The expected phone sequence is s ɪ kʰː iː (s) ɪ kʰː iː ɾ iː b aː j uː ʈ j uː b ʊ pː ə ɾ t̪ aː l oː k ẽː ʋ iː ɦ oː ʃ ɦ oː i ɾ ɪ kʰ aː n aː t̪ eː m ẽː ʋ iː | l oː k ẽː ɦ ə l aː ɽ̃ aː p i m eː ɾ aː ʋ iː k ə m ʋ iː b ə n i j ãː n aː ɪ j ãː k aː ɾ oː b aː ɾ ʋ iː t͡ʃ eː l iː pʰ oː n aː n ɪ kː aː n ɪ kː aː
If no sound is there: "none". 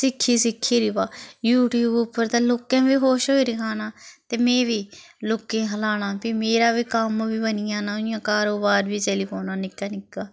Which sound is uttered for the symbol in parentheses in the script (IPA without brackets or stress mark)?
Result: s